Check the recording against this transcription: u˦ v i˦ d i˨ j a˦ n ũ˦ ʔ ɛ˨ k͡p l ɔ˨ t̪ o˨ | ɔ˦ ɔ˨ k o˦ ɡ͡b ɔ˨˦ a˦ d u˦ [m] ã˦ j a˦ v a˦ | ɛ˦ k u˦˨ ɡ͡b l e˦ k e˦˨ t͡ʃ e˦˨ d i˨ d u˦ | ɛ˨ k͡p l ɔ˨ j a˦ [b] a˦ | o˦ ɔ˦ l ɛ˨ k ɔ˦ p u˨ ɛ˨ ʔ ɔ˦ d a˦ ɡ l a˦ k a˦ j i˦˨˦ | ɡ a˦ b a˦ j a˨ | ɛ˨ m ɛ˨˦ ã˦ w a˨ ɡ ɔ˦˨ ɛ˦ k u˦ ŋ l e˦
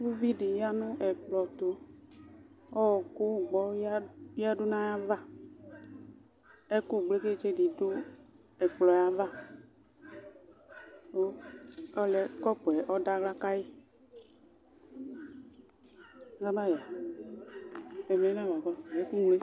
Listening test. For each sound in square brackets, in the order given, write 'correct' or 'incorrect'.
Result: incorrect: n, incorrect: v

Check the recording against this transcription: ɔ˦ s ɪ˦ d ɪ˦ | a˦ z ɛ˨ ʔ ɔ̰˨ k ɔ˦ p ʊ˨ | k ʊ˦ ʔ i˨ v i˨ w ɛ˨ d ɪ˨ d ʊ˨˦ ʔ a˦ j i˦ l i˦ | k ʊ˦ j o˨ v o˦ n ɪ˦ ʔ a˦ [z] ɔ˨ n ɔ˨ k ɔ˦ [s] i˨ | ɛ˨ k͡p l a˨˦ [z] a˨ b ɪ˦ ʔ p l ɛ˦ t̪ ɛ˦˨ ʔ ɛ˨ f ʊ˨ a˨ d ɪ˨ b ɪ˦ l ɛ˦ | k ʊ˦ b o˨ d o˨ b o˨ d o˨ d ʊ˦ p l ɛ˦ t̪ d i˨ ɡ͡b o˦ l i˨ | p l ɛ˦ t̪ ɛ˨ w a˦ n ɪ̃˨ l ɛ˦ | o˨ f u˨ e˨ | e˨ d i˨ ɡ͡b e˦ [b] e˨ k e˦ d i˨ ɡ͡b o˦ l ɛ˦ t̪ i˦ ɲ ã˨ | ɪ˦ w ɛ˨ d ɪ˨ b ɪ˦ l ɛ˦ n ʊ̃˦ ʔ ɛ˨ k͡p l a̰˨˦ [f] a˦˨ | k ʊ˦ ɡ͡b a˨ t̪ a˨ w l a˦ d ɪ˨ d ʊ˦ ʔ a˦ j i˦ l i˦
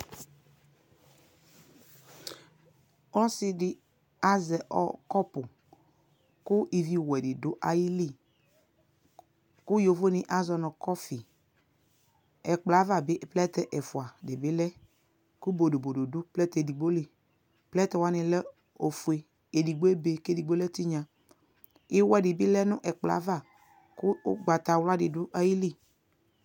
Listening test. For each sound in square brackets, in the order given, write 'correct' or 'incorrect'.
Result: correct, incorrect: f, incorrect: v, correct, incorrect: v

